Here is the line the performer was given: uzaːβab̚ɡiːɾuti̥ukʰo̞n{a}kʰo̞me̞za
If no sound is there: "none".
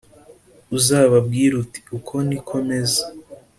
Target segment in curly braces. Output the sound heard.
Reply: i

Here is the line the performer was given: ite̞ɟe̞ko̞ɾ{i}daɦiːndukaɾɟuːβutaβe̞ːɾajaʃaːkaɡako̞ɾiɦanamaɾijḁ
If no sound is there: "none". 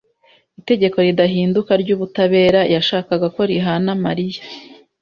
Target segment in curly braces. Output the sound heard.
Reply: i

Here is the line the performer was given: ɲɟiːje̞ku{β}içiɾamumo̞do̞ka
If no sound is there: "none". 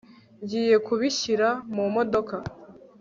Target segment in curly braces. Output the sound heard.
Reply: β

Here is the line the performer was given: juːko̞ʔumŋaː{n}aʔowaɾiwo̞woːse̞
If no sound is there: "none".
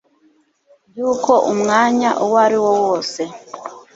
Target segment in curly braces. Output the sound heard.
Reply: ɲ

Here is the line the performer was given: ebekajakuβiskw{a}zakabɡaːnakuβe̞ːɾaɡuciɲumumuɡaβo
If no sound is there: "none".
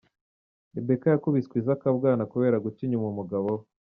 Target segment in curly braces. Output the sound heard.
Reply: i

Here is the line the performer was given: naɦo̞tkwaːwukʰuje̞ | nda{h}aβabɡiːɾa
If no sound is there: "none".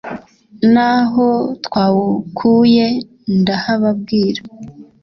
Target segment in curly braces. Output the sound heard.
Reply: h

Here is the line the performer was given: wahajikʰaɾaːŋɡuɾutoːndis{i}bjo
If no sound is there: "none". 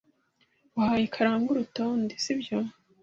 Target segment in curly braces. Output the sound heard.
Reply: i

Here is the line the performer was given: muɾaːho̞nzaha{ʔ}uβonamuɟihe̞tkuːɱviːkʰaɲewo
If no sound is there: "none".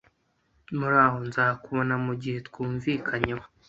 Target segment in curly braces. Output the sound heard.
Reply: k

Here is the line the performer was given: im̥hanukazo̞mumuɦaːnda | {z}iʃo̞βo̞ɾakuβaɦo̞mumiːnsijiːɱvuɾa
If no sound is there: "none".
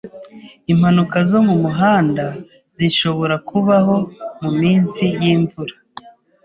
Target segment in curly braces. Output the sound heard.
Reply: z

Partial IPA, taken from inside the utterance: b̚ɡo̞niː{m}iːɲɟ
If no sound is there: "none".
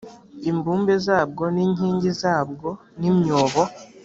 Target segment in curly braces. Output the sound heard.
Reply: ɲ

